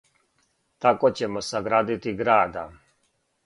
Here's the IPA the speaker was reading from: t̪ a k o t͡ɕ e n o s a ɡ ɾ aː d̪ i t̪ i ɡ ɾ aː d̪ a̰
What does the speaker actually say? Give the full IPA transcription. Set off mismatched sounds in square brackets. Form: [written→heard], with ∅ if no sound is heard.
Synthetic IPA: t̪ a k o t͡ɕ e [n→m] o s a ɡ ɾ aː d̪ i t̪ i ɡ ɾ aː d̪ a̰